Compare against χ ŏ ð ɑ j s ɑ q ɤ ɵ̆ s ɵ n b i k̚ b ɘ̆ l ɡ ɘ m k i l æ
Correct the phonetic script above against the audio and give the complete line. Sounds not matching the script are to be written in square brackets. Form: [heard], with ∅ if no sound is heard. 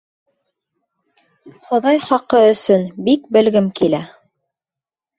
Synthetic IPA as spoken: χ ŏ ð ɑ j [χ] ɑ q ɤ ɵ̆ s ɵ n b i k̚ b ɘ̆ l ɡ ɘ m k i l æ